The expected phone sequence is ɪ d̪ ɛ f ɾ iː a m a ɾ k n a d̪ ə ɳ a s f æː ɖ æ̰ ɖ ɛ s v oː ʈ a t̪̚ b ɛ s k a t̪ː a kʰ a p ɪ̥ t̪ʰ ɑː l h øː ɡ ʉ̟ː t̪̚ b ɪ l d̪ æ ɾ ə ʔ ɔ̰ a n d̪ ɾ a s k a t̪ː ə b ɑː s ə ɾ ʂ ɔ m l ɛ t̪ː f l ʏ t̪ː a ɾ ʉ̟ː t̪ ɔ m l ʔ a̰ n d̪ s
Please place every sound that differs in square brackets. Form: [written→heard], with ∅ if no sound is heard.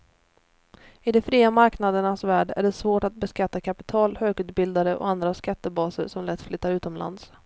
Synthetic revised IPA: ɪ d̪ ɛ f ɾ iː a m a ɾ k n a d̪ ə ɳ a s [f→v] æː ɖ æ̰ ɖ ɛ s v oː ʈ a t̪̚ b ɛ s k a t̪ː a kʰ a p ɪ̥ t̪ʰ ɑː l h øː ɡ ʉ̟ː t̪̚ b ɪ l d̪ [æ→a] ɾ ə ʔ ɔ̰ a n d̪ ɾ a s k a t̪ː ə b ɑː s ə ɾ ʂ ɔ m l ɛ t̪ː f l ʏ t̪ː a ɾ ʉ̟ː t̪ ɔ m l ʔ a̰ n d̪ s